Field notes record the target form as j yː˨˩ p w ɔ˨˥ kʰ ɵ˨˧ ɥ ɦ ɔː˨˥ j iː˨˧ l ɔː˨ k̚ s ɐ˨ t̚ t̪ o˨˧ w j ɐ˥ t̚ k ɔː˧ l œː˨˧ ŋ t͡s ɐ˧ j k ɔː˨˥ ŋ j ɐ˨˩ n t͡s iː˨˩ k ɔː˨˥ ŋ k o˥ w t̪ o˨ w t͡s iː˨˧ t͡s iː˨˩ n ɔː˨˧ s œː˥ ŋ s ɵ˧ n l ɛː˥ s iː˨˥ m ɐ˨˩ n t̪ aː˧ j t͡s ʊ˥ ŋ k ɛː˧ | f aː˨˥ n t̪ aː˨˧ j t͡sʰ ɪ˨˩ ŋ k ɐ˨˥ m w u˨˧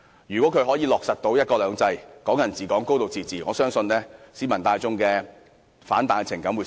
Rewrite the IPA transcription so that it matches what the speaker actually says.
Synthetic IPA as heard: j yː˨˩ k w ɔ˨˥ kʰ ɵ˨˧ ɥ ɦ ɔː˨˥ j iː˨˧ l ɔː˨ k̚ s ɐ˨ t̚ t̪ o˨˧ w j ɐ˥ t̚ k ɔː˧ l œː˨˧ ŋ t͡s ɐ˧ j k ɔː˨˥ ŋ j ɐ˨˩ n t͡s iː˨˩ k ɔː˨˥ ŋ k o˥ w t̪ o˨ w t͡s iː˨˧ t͡s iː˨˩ ŋ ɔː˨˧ s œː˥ ŋ s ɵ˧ n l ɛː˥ s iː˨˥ m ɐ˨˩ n t̪ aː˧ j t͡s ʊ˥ ŋ k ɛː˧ | f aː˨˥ n t̪ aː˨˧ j t͡sʰ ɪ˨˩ ŋ k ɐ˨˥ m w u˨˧